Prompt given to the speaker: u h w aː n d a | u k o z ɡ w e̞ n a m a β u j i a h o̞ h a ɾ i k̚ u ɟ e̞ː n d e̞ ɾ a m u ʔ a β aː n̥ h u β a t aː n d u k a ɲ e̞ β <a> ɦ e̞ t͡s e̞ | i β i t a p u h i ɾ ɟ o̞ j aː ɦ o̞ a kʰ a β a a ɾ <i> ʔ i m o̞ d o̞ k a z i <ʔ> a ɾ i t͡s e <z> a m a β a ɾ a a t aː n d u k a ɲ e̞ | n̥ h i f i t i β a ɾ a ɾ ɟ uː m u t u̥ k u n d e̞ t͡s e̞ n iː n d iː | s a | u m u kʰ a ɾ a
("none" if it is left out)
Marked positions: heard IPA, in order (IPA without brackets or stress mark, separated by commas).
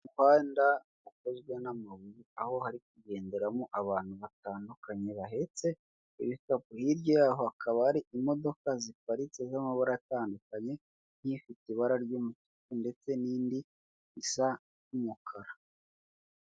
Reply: a, i, p, z